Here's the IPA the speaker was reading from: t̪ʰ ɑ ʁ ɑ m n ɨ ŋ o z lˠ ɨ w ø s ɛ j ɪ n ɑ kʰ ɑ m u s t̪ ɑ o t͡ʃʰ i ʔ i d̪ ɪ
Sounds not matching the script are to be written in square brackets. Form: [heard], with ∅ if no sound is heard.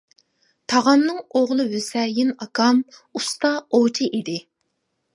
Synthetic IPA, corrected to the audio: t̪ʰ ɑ ʁ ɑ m n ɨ ŋ o [ʁ] lˠ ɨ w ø s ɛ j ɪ n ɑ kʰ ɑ m u s t̪ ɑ o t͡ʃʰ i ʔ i d̪ ɪ

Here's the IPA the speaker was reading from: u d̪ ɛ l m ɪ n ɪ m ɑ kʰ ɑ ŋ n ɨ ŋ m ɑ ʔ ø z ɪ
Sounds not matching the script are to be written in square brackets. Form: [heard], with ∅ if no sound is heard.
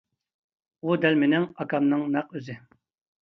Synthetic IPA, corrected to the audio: u d̪ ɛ l m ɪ n ɪ [ŋ] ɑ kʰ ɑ [m] n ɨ ŋ [n] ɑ [q] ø z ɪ

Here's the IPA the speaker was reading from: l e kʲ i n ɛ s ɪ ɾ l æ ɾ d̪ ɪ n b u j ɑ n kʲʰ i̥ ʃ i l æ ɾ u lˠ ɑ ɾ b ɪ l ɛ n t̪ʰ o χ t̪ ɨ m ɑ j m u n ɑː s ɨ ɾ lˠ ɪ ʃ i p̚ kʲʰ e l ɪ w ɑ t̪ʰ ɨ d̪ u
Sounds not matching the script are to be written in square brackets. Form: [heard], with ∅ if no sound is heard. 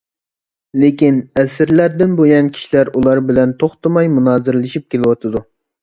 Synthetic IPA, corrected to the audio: l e kʲ i n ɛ s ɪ ɾ l æ ɾ d̪ ɪ n b [o] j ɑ n kʲʰ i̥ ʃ i l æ ɾ u lˠ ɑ ɾ b ɪ l ɛ n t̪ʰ o χ t̪ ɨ m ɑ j m u n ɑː [z] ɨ ɾ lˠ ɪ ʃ i p̚ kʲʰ e l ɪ w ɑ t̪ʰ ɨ d̪ u

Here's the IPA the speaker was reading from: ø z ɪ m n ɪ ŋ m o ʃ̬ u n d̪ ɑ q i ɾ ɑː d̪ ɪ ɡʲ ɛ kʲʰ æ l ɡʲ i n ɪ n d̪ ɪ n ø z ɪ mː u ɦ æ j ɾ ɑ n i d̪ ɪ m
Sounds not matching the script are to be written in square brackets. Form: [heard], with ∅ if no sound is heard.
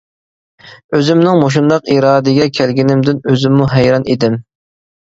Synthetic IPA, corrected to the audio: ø z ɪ m n ɪ ŋ m o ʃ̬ u n d̪ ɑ q i ɾ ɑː d̪ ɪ ɡʲ ɛ kʲʰ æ l ɡʲ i n ɪ [m] d̪ ɪ n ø z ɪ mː u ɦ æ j ɾ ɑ n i d̪ ɪ m

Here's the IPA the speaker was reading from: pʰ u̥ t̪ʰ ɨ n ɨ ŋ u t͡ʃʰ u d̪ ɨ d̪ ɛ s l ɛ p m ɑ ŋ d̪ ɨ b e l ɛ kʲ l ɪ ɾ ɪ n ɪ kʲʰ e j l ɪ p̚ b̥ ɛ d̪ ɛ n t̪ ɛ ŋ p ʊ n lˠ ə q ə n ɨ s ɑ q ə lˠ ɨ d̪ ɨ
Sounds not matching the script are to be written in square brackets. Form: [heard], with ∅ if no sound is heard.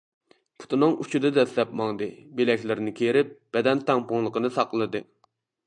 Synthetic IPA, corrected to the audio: pʰ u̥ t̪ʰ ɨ n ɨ ŋ u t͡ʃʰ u d̪ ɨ d̪ ɛ s l ɛ p m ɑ ŋ d̪ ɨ b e l ɛ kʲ l ɪ ɾ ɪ n ɪ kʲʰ e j [ɾ] ɪ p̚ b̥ ɛ d̪ ɛ n t̪ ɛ ŋ p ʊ [ŋ] lˠ ə q ə n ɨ s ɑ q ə lˠ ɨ d̪ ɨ

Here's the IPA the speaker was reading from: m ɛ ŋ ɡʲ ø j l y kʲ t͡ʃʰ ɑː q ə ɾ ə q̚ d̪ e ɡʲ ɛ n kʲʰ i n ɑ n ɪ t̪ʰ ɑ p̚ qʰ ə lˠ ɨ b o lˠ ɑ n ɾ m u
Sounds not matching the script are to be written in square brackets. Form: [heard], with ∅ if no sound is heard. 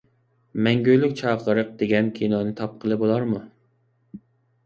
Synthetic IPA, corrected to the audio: m ɛ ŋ ɡʲ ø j l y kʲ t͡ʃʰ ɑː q ə ɾ ə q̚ d̪ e ɡʲ ɛ n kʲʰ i n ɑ n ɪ t̪ʰ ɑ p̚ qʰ ə lˠ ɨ b o lˠ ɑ [∅] ɾ m u

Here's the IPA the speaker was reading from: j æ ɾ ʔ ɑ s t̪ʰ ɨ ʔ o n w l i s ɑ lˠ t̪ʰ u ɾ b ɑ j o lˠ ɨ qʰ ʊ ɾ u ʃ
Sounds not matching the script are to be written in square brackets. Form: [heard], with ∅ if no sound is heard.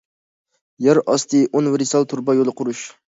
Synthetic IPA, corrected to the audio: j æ ɾ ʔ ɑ s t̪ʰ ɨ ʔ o n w [ɾ] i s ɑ lˠ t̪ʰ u ɾ b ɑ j o lˠ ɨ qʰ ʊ ɾ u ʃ

